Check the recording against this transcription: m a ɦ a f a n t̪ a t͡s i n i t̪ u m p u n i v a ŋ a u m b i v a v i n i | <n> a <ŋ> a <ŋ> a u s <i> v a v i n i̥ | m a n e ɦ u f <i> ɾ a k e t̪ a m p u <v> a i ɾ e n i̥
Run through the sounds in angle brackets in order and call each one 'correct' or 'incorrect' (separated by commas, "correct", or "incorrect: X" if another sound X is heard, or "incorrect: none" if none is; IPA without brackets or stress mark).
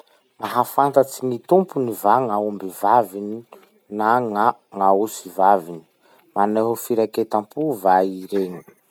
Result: correct, correct, correct, correct, correct, correct